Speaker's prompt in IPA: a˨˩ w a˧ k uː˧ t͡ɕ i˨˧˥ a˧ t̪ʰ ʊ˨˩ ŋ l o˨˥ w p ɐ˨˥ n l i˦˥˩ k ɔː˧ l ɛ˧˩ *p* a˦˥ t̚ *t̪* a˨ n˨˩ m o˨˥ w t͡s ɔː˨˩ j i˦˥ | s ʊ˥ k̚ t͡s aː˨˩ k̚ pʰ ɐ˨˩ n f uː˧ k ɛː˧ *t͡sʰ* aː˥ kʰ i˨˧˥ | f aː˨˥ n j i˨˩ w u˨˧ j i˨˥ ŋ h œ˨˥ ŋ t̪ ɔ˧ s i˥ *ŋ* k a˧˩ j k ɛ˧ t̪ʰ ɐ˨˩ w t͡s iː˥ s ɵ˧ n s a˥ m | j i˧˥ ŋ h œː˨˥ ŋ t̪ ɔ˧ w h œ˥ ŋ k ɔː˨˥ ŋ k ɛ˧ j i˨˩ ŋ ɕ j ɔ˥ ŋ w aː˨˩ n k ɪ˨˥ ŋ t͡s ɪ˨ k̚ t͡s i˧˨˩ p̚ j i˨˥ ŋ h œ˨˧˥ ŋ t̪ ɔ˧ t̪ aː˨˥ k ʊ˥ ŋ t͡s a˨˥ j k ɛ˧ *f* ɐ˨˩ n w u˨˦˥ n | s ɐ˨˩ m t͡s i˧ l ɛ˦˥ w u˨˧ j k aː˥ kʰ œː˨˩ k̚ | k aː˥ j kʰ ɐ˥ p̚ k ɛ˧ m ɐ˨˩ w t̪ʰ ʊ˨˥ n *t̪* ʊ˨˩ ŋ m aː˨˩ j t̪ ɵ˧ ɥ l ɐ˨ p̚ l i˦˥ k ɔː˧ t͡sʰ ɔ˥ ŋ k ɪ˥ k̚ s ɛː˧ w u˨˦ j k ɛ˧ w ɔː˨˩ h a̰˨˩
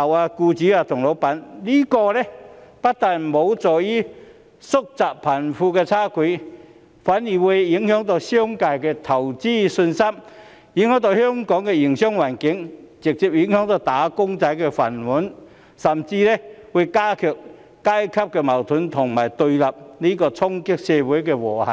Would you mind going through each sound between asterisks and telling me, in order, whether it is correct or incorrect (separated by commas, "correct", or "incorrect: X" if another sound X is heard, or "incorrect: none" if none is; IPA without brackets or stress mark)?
correct, correct, correct, correct, correct, incorrect: t̪ʰ